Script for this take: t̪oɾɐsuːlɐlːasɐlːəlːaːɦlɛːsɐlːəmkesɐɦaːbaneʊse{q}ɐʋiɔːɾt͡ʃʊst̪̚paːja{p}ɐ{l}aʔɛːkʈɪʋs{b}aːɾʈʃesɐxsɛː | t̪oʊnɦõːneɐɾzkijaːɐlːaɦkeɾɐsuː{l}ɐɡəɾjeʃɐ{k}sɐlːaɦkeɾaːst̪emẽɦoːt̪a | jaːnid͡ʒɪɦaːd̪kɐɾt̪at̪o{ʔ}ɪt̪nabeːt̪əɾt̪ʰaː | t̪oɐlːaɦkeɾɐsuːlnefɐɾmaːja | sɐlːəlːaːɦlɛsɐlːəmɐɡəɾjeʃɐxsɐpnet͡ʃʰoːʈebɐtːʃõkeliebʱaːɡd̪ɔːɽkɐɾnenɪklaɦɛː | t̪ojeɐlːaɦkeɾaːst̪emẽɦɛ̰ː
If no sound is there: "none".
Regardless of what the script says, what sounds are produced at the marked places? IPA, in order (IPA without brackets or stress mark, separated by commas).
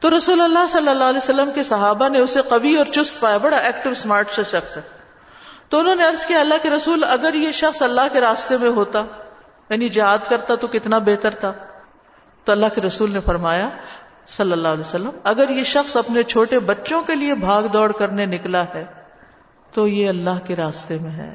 q, b, ɽ, m, l, x, k